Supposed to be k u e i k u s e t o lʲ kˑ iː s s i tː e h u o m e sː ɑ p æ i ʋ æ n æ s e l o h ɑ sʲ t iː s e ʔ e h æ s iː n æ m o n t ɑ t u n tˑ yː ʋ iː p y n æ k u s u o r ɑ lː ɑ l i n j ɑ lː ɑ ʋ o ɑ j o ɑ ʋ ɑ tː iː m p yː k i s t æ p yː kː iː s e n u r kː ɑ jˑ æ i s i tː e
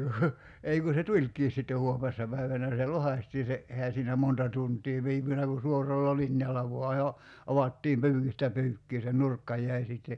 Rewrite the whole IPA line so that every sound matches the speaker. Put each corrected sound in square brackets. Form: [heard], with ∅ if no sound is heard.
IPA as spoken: k u e i k u s e t [u] lʲ kˑ iː s s i tː e h u o m e sː ɑ p æ i ʋ æ n æ s e l o h ɑ sʲ t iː s e ʔ e h æ s iː n æ m o n t ɑ t u n tˑ [iː] ʋ iː p y n æ k u s u o r ɑ lː ɑ l i n j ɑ lː ɑ ʋ o ɑ j o ɑ ʋ ɑ tː iː m p yː k i s t æ p yː kː iː s e n u r kː ɑ jˑ æ i s i tː e